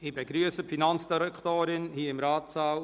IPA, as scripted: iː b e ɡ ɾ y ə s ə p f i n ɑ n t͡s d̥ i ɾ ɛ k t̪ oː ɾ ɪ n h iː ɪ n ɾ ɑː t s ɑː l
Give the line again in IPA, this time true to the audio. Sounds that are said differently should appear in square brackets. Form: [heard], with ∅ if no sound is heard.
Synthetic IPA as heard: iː b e ɡ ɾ y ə s ə p f i n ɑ n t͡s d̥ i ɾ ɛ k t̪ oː ɾ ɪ n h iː ɪ [m] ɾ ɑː t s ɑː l